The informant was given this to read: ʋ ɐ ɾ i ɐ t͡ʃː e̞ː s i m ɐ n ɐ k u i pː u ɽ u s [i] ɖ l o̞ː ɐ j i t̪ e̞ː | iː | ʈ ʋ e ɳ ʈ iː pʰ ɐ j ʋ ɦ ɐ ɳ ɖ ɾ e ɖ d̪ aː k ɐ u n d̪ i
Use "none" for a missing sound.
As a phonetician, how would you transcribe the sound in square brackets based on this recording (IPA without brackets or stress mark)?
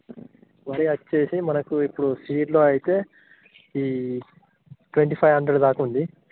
iː